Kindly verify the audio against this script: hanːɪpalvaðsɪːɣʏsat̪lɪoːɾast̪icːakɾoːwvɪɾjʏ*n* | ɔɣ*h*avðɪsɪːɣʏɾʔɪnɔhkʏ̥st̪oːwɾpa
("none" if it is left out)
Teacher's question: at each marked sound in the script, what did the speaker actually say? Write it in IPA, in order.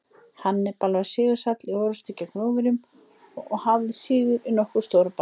m, h

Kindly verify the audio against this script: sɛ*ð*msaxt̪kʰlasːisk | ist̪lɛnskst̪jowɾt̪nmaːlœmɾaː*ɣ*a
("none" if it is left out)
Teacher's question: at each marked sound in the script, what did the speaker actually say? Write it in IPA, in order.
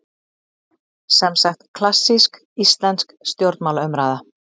none, ð

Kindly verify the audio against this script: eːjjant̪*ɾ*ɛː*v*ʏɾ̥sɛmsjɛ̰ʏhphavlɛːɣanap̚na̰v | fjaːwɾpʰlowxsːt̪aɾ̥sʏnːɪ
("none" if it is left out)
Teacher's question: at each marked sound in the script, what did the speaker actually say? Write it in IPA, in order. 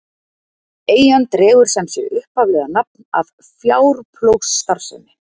ɾ, ɣ

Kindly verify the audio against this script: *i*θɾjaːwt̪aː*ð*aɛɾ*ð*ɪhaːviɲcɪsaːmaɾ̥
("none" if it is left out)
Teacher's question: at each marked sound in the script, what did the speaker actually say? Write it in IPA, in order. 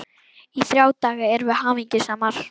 i, ɣ, v

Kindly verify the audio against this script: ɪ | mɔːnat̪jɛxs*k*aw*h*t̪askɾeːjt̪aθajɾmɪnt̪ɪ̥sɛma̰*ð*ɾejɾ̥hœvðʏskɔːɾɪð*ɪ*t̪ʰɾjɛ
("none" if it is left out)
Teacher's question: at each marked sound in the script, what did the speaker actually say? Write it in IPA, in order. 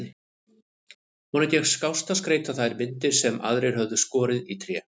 k, s, ð, i

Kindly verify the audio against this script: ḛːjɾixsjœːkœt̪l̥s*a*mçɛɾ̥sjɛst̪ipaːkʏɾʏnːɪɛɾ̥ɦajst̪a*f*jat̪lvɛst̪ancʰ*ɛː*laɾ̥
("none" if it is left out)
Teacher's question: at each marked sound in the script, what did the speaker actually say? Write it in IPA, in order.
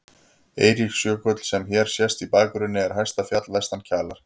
ɛ, f, aː

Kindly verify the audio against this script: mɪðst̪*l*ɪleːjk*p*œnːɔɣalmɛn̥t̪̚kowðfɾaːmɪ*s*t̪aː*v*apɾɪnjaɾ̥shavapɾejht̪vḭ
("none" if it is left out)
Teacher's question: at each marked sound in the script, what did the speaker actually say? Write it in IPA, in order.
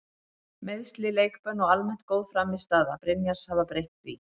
l, p, s, ð

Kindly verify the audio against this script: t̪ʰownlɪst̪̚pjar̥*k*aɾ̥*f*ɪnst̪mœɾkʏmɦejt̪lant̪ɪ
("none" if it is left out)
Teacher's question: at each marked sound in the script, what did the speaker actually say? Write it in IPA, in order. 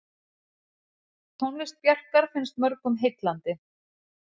k, f

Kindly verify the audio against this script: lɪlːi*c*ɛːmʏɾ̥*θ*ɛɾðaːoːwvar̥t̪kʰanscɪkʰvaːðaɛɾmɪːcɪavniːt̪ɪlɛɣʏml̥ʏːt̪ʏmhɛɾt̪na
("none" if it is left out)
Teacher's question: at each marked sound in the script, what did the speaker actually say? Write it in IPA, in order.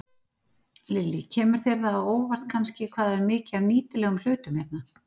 cʰ, θ

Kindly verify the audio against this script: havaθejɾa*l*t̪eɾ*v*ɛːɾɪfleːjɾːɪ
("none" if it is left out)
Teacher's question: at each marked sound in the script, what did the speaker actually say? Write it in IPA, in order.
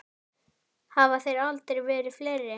l, v

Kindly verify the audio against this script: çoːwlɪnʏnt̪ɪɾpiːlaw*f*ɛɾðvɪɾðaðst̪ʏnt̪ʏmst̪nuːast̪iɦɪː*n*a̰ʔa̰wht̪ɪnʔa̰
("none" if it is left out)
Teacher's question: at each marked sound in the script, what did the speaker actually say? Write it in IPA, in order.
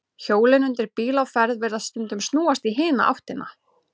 f, n

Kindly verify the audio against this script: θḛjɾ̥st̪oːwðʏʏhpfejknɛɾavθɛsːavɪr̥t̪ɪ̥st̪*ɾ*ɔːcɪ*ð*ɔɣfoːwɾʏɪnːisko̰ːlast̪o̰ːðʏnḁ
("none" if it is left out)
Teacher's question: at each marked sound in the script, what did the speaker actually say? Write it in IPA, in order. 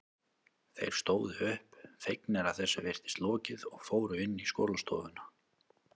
l, ð

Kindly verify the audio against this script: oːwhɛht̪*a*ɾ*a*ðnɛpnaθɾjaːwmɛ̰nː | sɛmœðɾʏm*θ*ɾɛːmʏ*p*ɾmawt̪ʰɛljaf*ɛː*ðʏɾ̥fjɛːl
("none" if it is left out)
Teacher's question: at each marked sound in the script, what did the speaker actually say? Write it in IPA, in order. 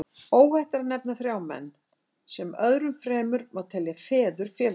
a, a, f, none, ɛː

